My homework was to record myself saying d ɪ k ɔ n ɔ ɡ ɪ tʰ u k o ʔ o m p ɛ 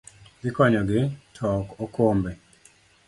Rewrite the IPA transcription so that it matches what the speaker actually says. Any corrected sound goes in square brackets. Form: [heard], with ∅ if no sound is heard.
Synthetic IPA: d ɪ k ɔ [ɲ] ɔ ɡ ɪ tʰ [ɔ] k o [k] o m [b] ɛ